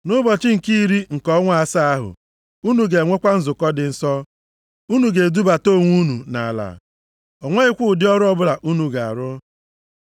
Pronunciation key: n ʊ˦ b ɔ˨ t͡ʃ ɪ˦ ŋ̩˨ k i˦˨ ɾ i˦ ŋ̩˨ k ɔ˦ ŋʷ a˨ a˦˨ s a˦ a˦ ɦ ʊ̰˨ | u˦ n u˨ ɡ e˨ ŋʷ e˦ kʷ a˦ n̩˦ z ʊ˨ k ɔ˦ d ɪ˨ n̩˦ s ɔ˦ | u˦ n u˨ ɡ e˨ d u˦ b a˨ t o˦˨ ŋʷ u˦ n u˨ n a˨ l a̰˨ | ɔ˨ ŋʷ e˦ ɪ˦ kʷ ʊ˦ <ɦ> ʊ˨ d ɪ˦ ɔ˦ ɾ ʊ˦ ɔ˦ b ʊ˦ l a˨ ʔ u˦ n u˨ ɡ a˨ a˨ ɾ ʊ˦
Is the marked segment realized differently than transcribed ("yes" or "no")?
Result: yes